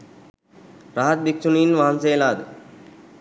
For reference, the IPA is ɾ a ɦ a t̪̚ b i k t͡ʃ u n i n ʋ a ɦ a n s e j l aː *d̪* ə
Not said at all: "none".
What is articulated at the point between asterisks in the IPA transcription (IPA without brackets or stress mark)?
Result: d̪